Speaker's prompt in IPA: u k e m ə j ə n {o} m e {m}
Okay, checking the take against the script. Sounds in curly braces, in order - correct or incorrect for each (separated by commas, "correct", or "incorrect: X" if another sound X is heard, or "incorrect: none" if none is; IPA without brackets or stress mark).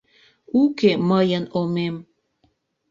correct, correct